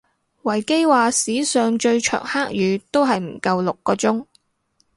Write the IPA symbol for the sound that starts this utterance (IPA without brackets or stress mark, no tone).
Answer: w